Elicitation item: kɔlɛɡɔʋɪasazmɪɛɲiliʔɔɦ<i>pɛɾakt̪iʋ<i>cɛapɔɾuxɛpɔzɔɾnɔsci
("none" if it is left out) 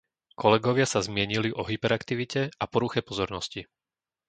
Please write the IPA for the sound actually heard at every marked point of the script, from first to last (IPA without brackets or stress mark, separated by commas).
i, i